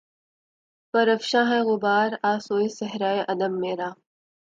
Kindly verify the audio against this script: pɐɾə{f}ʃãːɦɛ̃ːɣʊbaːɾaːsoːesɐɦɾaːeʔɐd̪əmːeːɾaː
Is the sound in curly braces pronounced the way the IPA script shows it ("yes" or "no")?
yes